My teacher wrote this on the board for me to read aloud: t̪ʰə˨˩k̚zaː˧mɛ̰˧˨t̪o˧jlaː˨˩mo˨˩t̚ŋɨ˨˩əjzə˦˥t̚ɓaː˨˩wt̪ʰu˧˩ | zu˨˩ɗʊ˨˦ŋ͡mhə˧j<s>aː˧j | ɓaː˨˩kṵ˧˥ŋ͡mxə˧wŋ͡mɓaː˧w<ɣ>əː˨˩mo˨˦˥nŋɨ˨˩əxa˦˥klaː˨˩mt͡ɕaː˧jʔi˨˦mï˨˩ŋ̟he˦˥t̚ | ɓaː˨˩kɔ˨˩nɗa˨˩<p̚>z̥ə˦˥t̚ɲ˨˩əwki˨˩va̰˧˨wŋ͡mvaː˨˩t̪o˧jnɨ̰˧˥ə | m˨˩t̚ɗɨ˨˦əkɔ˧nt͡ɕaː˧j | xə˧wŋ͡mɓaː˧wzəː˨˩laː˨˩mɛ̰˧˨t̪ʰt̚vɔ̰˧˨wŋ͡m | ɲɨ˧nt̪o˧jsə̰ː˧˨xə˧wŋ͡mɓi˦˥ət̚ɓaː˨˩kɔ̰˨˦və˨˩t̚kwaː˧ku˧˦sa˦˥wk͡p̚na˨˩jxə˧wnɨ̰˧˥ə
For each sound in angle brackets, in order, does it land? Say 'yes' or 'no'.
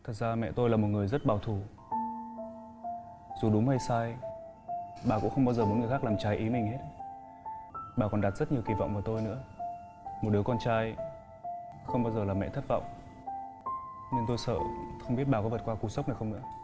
yes, no, no

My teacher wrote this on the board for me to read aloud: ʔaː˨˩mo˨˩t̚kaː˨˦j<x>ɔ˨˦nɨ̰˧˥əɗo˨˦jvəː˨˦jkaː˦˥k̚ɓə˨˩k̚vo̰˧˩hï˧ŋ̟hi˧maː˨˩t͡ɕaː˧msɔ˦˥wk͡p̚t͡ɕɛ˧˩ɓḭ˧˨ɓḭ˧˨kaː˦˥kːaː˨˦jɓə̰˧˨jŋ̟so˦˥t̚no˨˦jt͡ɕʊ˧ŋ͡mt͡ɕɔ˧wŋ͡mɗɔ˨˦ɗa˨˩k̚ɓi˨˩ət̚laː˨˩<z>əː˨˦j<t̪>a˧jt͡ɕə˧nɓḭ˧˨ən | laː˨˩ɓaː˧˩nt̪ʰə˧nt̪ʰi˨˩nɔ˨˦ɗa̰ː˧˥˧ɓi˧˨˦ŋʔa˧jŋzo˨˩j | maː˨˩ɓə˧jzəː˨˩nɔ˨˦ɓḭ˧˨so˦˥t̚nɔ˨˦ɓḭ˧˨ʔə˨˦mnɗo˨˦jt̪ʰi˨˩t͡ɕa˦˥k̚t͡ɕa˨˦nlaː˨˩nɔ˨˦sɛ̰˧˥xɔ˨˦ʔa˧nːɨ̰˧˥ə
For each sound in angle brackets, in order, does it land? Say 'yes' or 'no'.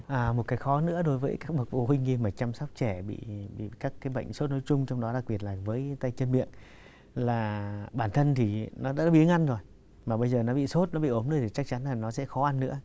yes, no, yes

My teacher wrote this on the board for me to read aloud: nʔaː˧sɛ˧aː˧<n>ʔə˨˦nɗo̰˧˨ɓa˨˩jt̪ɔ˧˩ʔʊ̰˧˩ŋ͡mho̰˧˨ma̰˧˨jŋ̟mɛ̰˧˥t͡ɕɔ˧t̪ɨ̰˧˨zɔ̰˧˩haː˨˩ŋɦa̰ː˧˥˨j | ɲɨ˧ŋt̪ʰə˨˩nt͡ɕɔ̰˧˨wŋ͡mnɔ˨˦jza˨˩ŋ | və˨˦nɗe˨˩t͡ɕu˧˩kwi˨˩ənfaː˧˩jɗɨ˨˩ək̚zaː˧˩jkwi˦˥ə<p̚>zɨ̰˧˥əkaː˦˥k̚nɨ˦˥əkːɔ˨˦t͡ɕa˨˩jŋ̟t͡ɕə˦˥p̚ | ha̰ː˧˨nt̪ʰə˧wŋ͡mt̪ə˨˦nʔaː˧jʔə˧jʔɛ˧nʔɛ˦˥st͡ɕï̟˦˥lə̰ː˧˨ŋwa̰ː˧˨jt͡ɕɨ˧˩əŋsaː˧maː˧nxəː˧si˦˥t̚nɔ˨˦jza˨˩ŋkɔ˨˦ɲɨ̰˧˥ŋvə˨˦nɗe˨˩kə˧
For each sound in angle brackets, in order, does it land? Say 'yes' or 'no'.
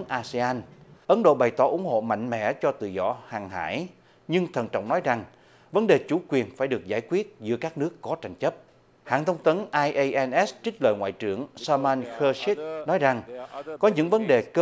yes, no

